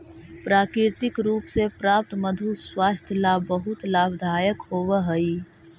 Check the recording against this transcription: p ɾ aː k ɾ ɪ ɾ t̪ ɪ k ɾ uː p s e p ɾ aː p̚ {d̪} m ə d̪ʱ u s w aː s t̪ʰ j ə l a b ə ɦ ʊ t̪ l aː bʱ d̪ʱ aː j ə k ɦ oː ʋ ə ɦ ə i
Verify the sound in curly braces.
incorrect: t̪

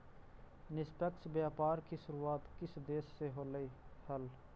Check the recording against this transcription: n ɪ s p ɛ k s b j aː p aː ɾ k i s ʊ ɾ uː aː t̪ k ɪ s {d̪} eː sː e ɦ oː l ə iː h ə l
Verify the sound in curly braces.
correct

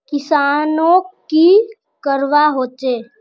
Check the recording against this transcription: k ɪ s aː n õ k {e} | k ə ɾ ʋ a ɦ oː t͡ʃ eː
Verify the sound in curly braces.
incorrect: i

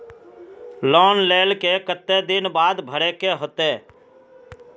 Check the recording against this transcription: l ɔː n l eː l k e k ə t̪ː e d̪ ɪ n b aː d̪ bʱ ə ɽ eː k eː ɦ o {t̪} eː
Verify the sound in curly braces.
correct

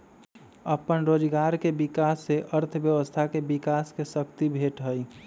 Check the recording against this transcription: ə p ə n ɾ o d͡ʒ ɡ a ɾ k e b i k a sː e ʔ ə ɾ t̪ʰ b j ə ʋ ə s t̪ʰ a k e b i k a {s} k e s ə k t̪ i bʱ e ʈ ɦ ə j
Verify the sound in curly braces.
correct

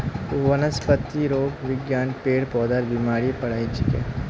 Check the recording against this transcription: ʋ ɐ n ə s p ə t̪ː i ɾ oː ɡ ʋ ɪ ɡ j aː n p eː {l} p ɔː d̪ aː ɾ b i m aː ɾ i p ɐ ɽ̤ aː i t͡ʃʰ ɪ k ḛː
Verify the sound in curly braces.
incorrect: ɽ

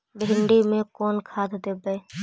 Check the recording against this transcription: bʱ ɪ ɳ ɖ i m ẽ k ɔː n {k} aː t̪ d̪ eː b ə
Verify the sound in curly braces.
incorrect: kʰ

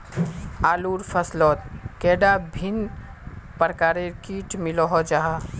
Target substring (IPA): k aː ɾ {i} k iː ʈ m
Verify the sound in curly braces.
incorrect: e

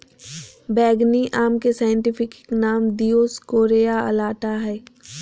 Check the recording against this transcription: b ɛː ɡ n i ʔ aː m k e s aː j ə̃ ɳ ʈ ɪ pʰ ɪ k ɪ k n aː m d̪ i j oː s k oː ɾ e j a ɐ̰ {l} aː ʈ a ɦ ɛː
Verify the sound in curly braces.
correct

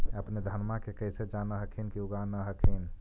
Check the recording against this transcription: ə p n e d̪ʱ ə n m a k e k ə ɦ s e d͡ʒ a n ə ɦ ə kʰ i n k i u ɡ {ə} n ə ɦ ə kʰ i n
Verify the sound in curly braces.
incorrect: a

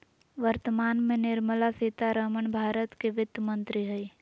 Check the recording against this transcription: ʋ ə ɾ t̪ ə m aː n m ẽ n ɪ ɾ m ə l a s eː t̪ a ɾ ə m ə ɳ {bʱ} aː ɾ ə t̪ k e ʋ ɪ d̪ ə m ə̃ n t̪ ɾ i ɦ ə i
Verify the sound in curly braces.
correct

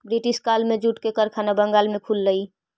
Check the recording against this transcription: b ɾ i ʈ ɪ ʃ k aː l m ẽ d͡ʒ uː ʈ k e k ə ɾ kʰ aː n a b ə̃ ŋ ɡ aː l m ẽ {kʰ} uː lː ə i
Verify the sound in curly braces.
correct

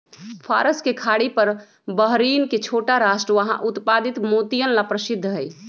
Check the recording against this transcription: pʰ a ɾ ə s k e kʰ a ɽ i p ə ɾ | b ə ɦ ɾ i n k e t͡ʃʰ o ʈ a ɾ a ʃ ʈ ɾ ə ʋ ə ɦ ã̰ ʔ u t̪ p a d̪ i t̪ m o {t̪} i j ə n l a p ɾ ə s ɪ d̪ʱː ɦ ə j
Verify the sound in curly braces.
correct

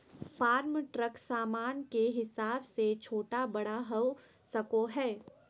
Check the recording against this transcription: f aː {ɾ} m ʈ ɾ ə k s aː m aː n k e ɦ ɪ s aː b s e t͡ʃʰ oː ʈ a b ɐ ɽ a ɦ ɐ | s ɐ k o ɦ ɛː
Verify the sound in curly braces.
correct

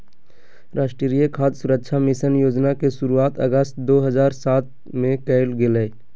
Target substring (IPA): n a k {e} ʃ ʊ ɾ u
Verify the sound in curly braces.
correct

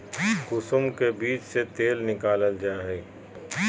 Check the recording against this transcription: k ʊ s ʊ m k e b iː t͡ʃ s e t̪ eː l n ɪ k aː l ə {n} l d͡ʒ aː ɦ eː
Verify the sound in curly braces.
incorrect: none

